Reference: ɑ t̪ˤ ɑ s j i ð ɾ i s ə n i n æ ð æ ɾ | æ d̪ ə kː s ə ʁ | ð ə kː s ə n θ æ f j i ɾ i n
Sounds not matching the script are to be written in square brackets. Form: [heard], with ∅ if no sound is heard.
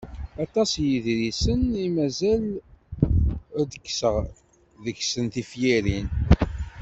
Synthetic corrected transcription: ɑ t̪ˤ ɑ s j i ð ɾ i s ə n i [m] æ [z] æ [l] | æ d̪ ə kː s ə ʁ | ð ə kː s ə n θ [i] f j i ɾ i n